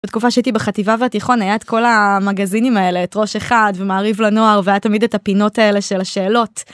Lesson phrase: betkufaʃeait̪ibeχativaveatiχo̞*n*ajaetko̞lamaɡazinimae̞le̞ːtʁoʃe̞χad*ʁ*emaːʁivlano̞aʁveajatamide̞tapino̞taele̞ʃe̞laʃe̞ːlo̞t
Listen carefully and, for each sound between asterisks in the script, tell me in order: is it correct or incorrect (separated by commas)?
correct, incorrect